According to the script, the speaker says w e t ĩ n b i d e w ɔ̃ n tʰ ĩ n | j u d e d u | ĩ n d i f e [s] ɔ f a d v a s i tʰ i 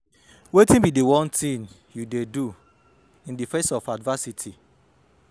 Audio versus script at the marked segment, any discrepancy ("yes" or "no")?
no